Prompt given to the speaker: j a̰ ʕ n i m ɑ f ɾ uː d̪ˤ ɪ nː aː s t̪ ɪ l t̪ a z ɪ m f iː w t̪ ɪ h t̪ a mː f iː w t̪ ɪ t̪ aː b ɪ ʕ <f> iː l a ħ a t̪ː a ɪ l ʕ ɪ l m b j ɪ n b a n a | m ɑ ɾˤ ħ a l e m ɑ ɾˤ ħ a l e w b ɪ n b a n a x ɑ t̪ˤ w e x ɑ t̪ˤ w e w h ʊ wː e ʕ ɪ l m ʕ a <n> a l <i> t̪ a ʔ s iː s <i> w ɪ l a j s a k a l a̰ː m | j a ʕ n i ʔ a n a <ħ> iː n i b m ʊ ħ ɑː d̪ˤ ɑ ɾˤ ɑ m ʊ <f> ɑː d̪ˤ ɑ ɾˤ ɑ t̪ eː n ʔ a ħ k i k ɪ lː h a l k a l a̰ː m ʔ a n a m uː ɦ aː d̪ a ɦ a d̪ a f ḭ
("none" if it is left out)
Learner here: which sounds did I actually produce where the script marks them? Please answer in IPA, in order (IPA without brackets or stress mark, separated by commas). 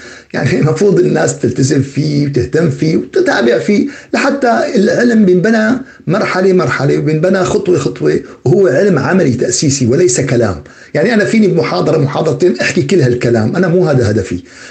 f, m, i, i, f, ħ